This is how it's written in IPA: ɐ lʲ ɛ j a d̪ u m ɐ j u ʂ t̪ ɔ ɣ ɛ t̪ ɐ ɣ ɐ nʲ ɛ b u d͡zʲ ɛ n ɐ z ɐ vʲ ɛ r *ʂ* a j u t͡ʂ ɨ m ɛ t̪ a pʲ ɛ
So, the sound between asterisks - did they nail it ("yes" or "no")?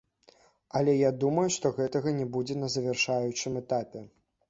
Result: yes